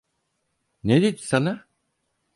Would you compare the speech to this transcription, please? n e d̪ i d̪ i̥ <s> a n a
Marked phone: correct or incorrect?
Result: correct